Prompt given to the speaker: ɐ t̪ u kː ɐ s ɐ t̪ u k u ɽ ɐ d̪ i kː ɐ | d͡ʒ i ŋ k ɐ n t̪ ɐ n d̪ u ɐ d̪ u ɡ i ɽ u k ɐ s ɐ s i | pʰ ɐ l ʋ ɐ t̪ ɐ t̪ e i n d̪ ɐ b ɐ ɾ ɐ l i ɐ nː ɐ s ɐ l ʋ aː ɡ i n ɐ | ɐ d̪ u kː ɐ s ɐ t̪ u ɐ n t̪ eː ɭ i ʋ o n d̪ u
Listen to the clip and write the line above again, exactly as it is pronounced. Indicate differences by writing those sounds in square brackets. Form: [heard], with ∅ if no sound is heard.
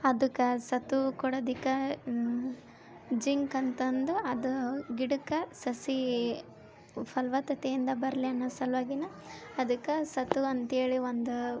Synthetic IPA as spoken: ɐ [d̪] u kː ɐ s ɐ t̪ u k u ɽ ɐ d̪ i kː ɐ | d͡ʒ i ŋ k ɐ n t̪ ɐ n d̪ u ɐ d̪ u ɡ i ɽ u k ɐ s ɐ s i | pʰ ɐ l ʋ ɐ t̪ ɐ t̪ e i n d̪ ɐ b ɐ ɾ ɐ l i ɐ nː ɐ s ɐ l ʋ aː ɡ i n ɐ | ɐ d̪ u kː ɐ s ɐ t̪ u ɐ n t̪ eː ɭ i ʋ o n d̪ u